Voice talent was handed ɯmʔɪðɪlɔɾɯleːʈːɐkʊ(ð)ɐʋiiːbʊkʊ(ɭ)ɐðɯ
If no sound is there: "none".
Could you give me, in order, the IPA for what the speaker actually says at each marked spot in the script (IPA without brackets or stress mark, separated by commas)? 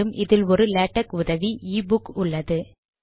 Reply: ð, ɭː